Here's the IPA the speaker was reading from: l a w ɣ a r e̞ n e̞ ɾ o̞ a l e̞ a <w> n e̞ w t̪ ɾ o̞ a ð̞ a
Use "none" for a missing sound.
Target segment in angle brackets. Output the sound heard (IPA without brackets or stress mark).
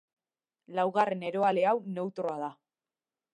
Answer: w